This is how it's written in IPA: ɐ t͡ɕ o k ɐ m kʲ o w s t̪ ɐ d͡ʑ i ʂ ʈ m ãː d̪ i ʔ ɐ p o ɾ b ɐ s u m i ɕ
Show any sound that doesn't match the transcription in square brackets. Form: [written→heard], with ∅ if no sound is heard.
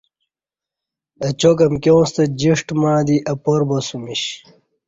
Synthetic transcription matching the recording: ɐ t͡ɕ o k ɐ m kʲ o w s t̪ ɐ d͡ʑ i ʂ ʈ m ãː d̪ i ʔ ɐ p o ɾ b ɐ s u m i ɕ